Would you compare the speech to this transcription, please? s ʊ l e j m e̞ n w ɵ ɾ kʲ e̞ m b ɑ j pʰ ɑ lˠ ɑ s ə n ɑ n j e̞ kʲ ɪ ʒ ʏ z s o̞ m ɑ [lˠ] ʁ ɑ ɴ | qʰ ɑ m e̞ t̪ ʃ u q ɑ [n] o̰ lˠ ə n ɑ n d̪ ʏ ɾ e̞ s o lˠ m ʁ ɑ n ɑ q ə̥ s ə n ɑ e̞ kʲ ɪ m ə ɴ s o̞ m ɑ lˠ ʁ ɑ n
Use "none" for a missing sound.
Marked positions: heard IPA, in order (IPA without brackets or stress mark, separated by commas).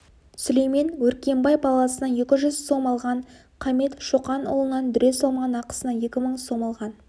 lˠ, n